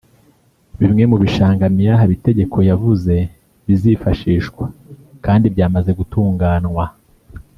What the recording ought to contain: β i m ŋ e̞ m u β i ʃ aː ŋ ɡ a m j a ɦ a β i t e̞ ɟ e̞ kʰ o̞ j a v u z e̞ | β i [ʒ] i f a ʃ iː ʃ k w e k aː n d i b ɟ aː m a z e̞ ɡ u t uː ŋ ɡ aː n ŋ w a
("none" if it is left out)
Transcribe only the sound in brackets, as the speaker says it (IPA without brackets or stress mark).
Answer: z